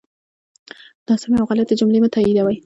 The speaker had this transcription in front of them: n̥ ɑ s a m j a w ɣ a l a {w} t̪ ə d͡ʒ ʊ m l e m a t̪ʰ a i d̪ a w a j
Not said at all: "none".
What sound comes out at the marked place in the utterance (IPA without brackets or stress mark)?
none